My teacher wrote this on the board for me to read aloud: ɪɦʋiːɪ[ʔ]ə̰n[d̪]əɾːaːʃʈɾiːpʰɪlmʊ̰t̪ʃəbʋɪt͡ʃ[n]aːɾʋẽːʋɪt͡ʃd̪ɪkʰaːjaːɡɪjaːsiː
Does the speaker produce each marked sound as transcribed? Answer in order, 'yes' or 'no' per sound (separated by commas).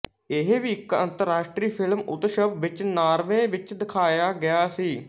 no, no, yes